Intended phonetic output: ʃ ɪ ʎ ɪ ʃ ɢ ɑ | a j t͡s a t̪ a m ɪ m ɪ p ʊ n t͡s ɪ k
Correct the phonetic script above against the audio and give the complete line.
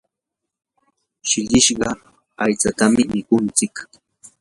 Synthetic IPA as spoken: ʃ ɪ ʎ ɪ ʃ ɢ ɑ | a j t͡s a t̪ a m ɪ m ɪ k ʊ n t͡s ɪ k